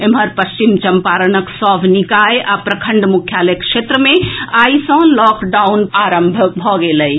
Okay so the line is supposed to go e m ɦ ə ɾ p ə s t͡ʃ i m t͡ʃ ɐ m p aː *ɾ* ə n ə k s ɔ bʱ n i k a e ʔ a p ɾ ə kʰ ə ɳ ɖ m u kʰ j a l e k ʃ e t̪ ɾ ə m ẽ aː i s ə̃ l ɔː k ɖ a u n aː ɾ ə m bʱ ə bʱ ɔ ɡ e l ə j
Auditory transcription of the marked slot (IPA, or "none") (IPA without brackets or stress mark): ɾ